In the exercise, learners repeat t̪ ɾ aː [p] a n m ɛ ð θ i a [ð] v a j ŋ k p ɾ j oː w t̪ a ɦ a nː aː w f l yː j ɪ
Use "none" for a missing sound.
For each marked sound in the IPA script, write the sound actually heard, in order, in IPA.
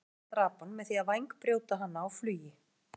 p, ð

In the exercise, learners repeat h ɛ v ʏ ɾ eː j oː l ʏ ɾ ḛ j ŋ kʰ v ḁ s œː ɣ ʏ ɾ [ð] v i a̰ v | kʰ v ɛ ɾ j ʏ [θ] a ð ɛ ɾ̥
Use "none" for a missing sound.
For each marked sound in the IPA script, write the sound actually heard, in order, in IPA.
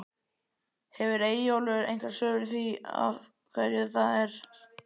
θ, θ

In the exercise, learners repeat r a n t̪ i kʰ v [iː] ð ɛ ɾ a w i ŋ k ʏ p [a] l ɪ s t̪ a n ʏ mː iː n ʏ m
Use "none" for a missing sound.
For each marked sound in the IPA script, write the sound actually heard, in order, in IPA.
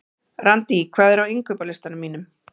aː, a

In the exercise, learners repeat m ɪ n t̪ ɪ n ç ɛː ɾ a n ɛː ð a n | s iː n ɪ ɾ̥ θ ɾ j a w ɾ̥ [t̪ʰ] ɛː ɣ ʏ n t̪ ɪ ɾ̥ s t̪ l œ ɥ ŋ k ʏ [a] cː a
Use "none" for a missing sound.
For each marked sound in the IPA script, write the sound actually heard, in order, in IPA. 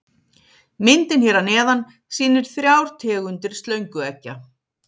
t̪ʰ, ɛ

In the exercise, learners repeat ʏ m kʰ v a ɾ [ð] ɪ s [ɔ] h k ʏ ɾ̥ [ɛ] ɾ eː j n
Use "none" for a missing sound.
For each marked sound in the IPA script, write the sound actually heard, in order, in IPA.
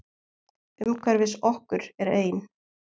v, ɔ, ɛ

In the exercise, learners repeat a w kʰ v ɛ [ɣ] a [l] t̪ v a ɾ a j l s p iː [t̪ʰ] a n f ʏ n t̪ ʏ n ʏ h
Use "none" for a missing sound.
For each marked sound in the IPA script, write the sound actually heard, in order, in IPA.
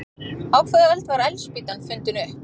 ð, l, t̪

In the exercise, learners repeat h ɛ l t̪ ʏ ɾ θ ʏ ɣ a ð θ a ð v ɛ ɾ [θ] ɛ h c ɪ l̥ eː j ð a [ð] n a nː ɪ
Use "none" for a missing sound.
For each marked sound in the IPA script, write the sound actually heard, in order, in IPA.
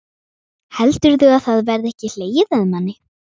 ð, ð

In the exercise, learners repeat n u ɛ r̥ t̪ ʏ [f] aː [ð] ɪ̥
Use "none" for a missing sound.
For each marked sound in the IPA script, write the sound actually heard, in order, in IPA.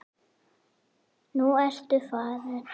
f, ð

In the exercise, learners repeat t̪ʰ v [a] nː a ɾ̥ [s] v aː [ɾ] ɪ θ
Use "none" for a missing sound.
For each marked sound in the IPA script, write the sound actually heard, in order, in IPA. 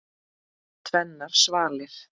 ɛ, s, l

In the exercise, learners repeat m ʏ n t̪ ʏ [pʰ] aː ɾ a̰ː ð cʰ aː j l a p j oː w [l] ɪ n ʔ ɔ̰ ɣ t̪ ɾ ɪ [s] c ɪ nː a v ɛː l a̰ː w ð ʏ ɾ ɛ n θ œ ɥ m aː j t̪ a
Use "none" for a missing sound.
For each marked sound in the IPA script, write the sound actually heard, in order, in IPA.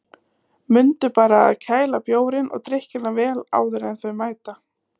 p, ɾ, h

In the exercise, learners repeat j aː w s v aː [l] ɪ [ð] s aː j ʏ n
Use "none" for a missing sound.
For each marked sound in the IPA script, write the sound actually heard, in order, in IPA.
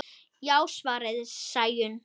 ɾ, ð

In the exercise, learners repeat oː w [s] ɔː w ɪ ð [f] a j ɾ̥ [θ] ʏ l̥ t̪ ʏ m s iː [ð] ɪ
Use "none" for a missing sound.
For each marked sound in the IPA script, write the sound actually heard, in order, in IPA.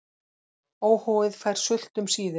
h, f, s, ð

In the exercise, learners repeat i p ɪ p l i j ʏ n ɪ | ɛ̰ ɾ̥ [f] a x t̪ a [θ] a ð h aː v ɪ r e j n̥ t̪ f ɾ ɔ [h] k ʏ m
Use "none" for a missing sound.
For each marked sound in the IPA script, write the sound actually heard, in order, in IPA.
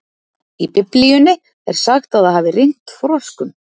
s, ð, s

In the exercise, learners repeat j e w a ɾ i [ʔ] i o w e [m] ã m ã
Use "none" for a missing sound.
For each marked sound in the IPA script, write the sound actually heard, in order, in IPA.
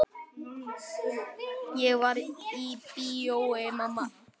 p, m

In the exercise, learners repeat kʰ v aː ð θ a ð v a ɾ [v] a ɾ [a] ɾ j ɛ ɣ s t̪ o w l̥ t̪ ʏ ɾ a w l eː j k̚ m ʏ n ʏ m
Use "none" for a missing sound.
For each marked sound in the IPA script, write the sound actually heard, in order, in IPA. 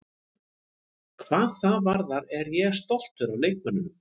ð, ɛ

